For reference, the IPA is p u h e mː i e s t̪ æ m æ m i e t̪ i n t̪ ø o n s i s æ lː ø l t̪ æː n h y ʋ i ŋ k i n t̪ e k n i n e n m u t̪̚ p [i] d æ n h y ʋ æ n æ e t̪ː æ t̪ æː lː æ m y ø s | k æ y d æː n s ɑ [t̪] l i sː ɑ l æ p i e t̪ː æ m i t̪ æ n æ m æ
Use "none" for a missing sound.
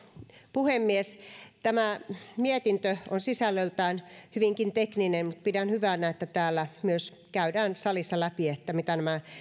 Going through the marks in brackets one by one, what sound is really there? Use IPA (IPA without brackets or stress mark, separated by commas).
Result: i, none